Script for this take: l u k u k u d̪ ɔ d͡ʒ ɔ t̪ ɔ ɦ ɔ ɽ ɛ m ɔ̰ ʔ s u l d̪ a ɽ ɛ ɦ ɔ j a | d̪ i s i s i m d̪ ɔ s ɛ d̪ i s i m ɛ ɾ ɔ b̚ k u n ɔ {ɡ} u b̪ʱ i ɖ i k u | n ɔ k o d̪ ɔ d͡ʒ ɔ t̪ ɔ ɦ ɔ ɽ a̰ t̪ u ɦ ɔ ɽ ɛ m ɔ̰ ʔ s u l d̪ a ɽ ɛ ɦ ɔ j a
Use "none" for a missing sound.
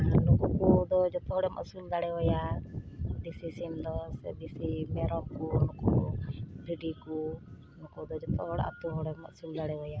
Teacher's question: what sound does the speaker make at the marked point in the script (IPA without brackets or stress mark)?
k